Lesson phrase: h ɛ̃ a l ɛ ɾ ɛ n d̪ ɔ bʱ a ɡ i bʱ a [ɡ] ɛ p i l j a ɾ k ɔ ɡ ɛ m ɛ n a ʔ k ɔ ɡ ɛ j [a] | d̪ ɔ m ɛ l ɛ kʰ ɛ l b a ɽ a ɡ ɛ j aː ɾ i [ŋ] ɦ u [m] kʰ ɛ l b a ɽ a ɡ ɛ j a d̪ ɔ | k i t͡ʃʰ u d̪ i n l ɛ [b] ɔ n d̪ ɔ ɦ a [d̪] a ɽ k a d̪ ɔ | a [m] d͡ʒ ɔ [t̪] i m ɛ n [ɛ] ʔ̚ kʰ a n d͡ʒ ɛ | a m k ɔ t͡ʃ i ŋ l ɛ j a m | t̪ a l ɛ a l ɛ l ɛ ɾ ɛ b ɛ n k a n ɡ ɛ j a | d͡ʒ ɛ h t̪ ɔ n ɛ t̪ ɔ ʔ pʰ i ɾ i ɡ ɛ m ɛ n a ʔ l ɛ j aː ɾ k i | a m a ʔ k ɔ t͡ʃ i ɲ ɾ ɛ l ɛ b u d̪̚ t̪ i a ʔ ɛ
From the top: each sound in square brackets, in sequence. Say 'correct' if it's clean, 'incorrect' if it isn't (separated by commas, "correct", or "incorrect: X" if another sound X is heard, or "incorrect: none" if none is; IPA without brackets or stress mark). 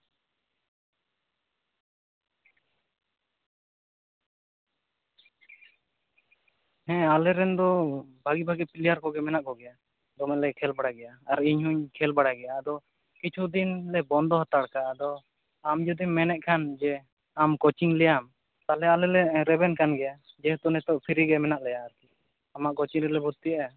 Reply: correct, correct, incorrect: ɲ, incorrect: ɲ, correct, incorrect: t̪, correct, incorrect: d̪, correct